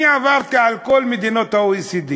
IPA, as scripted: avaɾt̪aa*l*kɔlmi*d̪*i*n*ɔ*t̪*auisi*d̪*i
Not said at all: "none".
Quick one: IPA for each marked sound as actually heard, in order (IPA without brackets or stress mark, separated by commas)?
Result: l, d̪, n, t̪, d̪